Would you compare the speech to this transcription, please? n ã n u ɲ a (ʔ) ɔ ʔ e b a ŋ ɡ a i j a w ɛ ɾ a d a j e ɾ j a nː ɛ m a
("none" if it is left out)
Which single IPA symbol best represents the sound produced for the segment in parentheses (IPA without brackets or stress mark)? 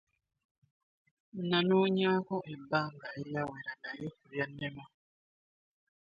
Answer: k